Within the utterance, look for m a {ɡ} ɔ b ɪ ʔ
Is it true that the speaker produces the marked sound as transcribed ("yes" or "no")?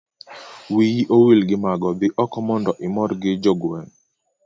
yes